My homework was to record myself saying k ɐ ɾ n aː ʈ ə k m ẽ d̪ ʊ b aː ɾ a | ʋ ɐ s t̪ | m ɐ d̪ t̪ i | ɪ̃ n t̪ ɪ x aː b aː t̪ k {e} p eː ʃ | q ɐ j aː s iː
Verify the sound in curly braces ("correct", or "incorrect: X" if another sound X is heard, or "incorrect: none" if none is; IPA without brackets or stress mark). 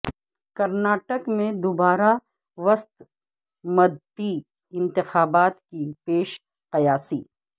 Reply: incorrect: i